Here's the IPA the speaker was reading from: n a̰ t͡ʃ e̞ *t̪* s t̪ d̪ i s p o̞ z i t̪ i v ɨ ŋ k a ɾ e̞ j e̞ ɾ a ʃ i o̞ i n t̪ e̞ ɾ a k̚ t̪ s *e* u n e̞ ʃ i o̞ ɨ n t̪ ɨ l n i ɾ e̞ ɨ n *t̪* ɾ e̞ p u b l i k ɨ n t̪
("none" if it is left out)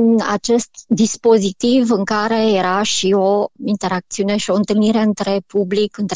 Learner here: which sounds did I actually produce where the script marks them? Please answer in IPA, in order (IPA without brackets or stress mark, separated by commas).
none, i, t̪